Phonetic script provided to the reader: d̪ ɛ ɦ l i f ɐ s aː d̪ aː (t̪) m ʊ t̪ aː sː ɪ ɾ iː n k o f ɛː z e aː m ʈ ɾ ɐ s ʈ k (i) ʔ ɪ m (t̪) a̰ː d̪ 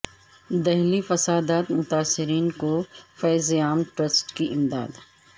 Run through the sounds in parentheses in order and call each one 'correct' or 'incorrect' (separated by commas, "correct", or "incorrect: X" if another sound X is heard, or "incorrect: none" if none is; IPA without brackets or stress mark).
correct, correct, incorrect: d̪